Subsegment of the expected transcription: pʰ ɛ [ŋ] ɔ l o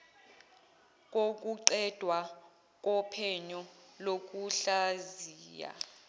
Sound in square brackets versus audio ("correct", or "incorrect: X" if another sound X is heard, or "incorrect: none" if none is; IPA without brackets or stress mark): incorrect: ɲ